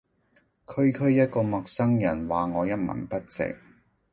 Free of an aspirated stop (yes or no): no